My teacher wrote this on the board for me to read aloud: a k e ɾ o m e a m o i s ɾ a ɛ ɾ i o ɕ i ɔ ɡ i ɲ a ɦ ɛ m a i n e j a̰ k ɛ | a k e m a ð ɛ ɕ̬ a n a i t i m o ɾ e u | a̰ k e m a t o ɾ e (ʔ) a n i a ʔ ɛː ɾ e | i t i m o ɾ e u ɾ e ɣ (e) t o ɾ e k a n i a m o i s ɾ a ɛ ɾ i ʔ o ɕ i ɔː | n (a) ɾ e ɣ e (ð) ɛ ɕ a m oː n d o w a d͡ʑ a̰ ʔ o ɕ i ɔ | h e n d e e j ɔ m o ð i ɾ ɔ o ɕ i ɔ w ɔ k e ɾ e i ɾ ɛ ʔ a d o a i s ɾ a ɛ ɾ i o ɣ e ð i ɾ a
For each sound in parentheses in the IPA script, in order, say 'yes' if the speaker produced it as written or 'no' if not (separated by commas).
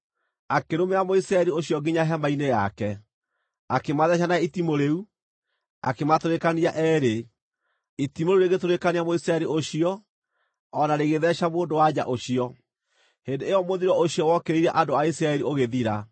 no, yes, yes, yes